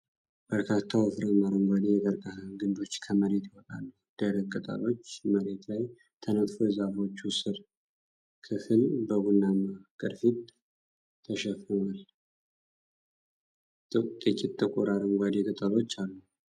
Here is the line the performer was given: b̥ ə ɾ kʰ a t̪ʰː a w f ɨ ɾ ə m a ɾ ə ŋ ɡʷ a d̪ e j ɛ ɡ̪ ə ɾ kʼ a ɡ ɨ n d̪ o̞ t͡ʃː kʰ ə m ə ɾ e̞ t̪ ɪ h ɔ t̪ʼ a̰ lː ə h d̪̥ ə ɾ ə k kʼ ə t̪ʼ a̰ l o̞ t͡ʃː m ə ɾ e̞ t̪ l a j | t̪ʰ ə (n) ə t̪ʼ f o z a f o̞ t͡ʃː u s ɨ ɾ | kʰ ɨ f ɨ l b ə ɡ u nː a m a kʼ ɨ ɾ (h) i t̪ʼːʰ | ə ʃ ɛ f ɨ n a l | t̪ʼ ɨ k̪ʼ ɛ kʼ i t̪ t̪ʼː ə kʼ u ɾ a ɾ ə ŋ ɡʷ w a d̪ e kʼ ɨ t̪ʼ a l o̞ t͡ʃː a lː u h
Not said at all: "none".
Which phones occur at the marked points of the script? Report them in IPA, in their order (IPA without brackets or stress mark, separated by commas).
n, f